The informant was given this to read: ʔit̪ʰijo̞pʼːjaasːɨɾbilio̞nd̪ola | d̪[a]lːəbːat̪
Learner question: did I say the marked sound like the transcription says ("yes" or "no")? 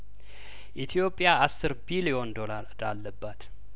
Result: yes